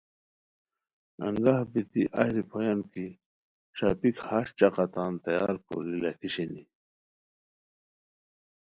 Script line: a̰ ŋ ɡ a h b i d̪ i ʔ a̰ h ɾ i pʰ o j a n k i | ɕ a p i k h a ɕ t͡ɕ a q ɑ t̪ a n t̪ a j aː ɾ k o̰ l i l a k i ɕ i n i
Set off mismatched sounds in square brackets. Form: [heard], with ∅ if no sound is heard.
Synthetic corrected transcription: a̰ ŋ ɡ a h b i [t̪] i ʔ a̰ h ɾ i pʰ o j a n k i | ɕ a p i k h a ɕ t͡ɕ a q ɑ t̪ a n t̪ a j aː ɾ k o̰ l i l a k i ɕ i n i